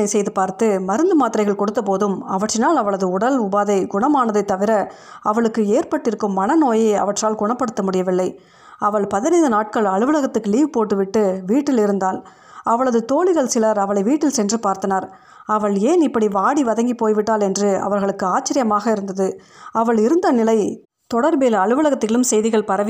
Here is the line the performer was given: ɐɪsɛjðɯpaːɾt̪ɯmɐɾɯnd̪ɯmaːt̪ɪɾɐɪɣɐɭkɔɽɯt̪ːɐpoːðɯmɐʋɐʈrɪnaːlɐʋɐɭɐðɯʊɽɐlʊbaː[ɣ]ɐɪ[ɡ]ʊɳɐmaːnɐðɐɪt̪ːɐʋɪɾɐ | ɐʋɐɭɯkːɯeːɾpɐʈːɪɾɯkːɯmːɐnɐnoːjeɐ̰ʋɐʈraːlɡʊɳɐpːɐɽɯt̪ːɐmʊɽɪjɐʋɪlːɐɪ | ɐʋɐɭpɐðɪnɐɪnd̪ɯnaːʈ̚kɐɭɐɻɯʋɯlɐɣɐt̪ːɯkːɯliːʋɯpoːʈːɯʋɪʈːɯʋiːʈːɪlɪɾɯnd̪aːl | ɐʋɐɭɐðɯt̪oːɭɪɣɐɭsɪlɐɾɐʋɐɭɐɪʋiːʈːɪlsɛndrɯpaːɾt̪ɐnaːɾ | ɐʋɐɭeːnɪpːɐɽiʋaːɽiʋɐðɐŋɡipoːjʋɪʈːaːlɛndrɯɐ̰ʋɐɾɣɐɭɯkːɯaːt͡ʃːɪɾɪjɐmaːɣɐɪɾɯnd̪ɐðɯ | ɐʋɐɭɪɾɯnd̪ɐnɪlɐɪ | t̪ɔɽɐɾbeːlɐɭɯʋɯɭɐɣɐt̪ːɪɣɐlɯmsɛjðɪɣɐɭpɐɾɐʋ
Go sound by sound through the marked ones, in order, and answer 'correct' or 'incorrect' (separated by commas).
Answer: incorrect, correct